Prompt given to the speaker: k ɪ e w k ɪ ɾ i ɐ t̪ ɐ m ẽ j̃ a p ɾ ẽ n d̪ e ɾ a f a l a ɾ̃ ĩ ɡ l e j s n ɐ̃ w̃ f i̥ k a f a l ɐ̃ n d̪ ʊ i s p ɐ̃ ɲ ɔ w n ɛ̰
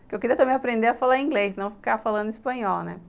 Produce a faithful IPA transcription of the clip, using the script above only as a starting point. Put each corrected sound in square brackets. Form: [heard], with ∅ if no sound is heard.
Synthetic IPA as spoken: k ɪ e w k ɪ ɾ i ɐ t̪ ɐ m ẽ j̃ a p ɾ ẽ n d̪ e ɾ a f a l a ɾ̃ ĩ ɡ l e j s n ɐ̃ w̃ f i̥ k a f a l ɐ̃ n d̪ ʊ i s p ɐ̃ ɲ ɔ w n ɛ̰